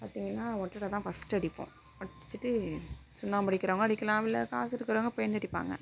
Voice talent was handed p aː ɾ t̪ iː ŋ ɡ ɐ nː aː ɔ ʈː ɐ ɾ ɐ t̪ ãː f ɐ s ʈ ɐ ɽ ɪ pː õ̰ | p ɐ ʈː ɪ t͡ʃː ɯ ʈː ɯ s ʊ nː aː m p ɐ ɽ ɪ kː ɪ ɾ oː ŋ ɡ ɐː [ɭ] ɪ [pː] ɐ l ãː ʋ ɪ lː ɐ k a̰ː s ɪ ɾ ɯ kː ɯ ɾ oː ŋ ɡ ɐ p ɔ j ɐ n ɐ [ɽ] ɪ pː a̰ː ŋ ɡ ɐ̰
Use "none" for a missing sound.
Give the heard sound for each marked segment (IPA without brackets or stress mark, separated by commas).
ɽ, kː, ɽ